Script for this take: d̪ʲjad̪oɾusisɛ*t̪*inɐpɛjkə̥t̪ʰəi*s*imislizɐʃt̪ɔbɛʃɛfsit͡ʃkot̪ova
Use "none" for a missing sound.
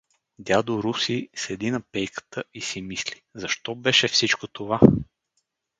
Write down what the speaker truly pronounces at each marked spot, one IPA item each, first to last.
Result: d̪, s

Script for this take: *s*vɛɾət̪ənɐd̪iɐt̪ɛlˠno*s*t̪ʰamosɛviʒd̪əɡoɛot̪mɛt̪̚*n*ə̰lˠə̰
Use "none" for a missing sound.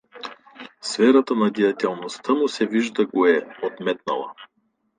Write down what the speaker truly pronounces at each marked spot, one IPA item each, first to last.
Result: s, s, n

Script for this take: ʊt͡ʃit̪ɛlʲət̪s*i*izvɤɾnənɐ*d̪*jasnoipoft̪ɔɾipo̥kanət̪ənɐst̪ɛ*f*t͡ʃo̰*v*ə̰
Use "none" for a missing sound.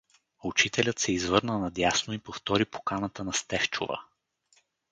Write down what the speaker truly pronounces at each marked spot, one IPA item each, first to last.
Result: ɛ, d̪, f, v

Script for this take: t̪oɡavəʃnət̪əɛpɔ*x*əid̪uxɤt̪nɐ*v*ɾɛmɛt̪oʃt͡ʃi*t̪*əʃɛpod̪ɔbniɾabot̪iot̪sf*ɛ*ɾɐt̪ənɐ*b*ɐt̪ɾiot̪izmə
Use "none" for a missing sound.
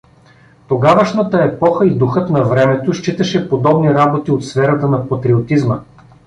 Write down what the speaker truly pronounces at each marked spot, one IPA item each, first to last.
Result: x, v, t̪, ɛ, p

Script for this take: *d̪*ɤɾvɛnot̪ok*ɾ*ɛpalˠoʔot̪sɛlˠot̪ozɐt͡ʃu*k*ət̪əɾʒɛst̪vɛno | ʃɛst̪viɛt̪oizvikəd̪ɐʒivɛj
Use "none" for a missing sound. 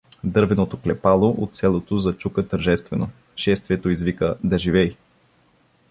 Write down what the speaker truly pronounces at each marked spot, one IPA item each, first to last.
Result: d̪, l, k

